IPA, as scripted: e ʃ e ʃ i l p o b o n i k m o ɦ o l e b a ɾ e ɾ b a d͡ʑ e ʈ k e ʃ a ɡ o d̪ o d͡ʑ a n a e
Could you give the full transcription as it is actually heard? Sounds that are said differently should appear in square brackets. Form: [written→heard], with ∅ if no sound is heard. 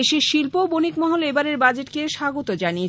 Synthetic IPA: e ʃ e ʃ i l p o b o n i k m [o→ɔ] ɦ o l e b a ɾ e ɾ b a d͡ʑ e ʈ k e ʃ a ɡ o [d̪→t̪] o d͡ʑ a n [a→i] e